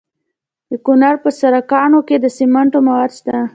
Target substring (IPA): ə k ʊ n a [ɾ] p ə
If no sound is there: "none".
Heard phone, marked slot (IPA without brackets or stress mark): ɾ